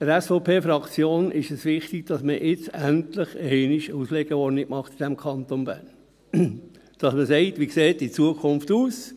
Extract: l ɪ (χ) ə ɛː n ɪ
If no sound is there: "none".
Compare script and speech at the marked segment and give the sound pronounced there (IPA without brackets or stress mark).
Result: χ